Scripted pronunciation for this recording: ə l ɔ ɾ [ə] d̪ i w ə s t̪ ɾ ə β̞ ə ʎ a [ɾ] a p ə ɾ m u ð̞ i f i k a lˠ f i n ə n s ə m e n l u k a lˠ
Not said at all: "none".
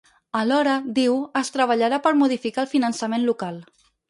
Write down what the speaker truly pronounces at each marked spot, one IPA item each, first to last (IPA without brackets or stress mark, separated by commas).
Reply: ə, ɾ